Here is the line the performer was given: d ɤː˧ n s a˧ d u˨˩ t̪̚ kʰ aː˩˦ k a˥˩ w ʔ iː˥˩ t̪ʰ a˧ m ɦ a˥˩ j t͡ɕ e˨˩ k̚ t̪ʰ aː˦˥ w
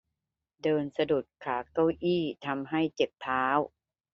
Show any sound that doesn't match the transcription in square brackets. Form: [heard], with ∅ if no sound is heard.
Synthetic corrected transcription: d ɤː˧ n s a˧ d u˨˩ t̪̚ kʰ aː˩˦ k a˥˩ w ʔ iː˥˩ t̪ʰ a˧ m ɦ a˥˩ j t͡ɕ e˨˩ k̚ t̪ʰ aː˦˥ w